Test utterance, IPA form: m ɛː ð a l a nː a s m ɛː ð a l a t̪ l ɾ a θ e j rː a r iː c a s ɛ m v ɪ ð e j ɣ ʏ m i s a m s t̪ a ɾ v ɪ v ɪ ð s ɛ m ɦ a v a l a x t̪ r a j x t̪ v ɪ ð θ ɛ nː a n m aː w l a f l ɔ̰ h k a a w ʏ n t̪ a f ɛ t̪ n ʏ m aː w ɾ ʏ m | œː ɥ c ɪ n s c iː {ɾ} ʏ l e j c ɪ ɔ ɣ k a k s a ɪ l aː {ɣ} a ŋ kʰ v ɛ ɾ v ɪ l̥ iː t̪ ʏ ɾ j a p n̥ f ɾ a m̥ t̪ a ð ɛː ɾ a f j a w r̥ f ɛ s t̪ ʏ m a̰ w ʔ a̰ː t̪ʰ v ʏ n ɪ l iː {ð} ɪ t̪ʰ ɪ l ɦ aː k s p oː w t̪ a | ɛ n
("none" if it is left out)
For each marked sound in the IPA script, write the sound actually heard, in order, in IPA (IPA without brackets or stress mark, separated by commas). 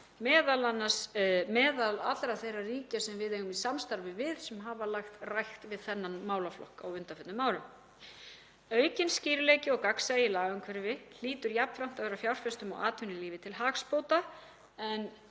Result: ɾ, ɣ, v